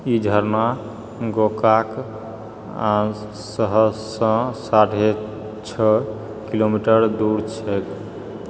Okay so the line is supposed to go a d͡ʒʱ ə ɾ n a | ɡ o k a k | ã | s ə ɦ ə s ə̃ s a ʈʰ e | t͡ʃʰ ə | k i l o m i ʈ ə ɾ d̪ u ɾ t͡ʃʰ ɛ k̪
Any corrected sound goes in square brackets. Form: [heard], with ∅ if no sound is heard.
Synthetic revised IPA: [i] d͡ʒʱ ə ɾ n a | ɡ o k a k | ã | s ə ɦ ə s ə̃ s a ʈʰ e | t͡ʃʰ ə | k i l o m i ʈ ə ɾ d̪ u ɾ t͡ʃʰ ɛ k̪